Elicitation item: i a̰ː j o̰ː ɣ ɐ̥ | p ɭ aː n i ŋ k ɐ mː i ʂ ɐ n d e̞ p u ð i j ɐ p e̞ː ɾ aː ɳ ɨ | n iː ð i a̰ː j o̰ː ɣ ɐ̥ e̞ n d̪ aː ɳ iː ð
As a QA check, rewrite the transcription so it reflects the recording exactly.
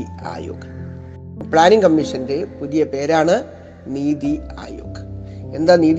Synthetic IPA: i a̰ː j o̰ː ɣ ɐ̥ | p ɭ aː n i ŋ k ɐ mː i ʂ ɐ n d e̞ p u ð i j ɐ p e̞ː ɾ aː ɳ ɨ | n iː ð i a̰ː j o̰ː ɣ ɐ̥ e̞ n d̪ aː n iː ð